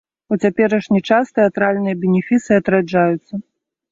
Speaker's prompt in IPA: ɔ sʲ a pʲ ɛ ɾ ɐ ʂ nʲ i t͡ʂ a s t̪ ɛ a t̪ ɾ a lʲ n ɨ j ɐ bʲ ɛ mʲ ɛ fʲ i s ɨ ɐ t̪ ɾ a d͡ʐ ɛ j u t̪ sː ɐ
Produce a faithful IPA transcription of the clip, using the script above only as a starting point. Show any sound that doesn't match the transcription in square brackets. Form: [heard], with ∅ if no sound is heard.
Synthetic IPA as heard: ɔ [t͡sʲ] a pʲ ɛ ɾ ɐ ʂ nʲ i t͡ʂ a s t̪ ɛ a t̪ ɾ a lʲ n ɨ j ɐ bʲ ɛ [nʲ] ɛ fʲ i s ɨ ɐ t̪ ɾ a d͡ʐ [a] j u t̪ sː ɐ